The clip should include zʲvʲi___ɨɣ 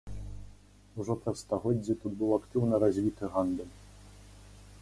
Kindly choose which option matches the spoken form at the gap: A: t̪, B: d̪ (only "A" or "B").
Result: A